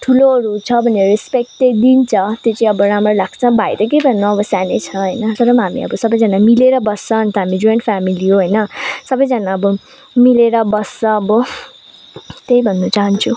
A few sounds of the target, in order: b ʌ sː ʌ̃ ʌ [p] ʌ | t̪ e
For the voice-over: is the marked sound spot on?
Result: no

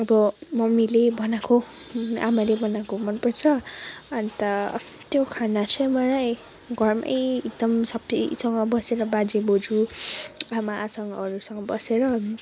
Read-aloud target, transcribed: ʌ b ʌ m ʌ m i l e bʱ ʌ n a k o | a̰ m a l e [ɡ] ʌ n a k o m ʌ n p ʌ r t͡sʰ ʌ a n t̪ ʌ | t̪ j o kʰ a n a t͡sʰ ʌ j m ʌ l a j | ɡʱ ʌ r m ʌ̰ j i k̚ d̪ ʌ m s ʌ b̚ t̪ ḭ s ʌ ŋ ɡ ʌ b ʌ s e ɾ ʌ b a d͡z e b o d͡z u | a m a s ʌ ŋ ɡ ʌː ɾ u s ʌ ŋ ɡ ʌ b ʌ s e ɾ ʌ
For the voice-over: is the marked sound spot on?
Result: no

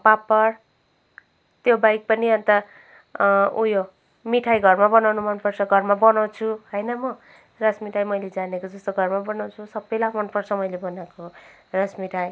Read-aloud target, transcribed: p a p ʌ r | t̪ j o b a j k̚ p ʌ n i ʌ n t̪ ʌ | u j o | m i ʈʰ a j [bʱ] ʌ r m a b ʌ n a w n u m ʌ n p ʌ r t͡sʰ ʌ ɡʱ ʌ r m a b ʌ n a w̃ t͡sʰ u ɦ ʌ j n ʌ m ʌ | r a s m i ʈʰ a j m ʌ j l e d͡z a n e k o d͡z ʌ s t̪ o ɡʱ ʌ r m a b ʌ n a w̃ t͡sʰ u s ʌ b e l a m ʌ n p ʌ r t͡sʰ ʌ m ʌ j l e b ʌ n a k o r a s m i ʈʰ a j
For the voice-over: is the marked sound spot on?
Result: no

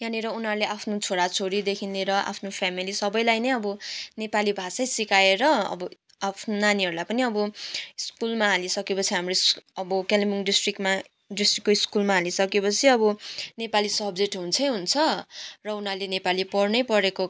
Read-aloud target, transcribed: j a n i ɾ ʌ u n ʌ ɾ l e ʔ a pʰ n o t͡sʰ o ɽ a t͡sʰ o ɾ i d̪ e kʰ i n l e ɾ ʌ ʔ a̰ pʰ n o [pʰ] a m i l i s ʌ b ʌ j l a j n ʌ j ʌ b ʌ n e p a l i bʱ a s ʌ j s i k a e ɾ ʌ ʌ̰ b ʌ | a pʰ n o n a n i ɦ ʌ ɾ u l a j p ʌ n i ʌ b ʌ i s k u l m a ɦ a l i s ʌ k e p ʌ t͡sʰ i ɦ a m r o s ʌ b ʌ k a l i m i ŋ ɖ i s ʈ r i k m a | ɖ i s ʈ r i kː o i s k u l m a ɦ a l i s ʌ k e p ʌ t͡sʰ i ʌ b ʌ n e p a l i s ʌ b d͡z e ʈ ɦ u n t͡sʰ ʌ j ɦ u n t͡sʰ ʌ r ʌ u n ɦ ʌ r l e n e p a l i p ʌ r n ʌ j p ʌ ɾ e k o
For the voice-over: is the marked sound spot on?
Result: yes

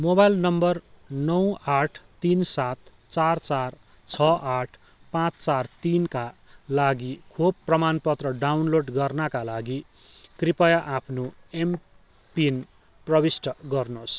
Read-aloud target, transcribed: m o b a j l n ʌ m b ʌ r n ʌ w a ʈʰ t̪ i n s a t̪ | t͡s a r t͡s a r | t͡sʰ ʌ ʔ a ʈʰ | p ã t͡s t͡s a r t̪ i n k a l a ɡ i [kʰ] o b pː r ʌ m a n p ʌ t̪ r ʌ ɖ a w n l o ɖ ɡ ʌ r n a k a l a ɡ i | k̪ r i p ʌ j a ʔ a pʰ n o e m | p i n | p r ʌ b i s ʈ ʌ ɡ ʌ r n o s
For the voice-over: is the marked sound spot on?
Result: yes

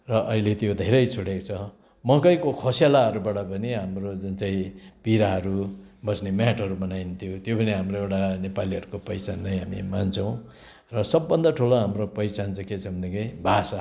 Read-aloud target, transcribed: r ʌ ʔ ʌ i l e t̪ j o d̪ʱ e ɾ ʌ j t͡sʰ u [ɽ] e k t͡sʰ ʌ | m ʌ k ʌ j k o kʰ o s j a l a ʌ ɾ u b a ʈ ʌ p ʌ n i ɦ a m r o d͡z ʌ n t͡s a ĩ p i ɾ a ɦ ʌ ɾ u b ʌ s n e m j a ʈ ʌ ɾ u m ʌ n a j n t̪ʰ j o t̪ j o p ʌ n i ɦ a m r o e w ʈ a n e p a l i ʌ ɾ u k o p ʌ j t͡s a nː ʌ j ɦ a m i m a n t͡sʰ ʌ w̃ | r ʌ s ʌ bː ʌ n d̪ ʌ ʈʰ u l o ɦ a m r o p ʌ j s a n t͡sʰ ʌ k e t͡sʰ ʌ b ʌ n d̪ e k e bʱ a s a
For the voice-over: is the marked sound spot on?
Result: yes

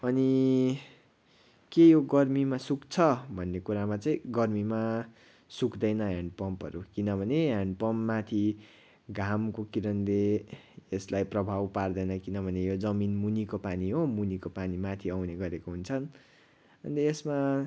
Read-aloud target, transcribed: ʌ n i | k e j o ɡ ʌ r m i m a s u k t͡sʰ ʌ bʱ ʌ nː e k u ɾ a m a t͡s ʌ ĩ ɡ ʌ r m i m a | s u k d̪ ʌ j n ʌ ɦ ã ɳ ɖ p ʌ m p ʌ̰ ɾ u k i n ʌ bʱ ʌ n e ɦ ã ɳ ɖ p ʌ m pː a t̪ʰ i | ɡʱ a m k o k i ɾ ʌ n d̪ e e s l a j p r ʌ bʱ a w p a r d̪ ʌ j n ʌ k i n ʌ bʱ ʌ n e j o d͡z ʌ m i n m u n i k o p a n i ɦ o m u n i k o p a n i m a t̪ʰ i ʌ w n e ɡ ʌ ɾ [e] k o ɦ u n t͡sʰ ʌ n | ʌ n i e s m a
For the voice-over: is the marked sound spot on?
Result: yes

